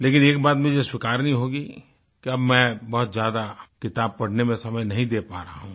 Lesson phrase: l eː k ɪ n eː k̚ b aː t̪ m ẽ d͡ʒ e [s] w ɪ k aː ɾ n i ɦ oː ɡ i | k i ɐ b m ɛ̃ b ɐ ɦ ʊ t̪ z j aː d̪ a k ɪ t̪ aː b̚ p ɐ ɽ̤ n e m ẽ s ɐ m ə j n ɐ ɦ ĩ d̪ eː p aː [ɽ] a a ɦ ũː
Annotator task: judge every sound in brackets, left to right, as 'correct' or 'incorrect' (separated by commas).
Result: correct, incorrect